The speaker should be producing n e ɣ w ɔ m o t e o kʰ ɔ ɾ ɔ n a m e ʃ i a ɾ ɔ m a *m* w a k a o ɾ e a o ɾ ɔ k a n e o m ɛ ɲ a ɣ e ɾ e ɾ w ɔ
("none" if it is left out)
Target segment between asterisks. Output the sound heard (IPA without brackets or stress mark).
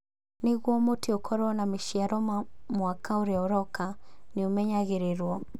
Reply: m